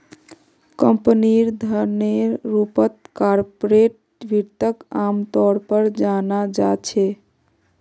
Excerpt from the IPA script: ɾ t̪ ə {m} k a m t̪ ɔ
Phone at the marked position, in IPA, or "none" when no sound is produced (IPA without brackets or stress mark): none